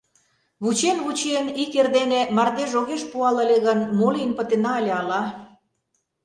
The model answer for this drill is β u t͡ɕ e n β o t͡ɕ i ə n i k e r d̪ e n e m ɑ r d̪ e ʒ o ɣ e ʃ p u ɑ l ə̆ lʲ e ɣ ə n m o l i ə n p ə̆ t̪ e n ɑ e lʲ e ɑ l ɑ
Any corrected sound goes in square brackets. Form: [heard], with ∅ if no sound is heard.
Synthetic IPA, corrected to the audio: β u t͡ɕ e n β [u] t͡ɕ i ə n i k e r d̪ e n e m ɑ r d̪ e ʒ o ɣ e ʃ p u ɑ l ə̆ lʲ e ɣ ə n m o l i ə n p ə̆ t̪ e n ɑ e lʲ e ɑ l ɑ

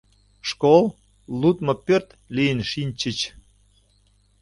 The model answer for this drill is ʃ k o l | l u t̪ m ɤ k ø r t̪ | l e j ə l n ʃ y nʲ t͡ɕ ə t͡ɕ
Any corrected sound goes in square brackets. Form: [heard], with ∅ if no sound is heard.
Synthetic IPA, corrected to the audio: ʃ k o l | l u t̪ m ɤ [p] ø r t̪ | l [i] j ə [∅] n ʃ [i] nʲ t͡ɕ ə t͡ɕ

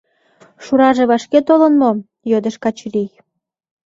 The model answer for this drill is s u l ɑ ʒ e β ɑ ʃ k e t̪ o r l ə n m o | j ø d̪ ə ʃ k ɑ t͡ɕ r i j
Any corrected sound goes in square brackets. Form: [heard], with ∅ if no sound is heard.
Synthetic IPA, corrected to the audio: [ʃ] u [ɾ] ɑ ʒ e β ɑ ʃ k e t̪ o [∅] l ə n m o | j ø d̪ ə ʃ k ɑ t͡ɕ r i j

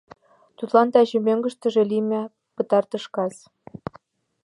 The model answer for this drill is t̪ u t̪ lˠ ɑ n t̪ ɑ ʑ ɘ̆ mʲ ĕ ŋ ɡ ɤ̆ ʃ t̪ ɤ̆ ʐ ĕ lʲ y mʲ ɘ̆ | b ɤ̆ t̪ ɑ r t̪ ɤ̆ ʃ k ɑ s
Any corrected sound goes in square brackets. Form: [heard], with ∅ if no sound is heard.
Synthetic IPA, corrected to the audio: t̪ u t̪ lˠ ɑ n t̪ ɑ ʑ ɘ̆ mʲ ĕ ŋ ɡ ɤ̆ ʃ t̪ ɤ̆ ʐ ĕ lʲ [i] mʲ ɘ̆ | [p] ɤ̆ t̪ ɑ r t̪ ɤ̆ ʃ k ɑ s

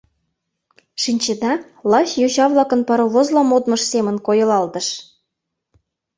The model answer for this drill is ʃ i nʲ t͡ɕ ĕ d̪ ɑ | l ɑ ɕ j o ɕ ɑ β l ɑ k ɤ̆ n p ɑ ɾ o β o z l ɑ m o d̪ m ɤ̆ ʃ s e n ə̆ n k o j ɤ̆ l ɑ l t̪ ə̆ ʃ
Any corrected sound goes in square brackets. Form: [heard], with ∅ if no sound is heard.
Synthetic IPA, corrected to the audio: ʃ i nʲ t͡ɕ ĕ d̪ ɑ | l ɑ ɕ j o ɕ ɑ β l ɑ k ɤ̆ n p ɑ ɾ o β o z l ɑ m o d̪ m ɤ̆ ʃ s e [m] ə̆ n k o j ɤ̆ l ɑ l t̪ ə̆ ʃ

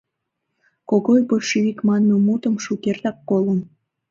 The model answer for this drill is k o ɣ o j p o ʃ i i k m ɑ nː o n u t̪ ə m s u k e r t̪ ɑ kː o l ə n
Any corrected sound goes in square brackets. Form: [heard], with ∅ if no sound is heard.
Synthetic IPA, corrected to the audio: k o ɣ o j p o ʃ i i k m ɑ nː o [m] u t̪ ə m [ʃ] u k e r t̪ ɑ kː o l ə n

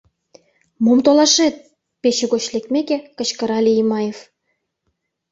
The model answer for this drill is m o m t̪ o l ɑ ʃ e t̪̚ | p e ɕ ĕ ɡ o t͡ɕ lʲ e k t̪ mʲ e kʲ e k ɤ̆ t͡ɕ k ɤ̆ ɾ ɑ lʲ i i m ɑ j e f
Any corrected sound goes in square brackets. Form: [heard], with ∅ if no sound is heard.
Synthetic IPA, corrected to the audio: m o m t̪ o l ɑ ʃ e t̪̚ | p e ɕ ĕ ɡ o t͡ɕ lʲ e k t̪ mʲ e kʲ e k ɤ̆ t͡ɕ k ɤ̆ ɾ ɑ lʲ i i m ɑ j e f

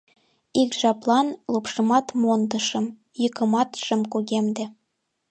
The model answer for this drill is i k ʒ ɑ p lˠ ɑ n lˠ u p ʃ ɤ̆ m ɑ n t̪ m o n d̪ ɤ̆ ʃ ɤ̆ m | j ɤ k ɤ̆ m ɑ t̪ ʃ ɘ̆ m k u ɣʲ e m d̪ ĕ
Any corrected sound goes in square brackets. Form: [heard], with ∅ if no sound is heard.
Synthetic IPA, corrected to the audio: i k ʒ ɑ p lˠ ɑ n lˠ u p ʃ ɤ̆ m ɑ [∅] t̪ m o n d̪ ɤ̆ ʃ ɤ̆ m | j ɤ k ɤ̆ m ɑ t̪ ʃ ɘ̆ m k u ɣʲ e m d̪ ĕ

